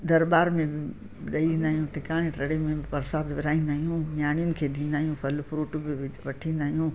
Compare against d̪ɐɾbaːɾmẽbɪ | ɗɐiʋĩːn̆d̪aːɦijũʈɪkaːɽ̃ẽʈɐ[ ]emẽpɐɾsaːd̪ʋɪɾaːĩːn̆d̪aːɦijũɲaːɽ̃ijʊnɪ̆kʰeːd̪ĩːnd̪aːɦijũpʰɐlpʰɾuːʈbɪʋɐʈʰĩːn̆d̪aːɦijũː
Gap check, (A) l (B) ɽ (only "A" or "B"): B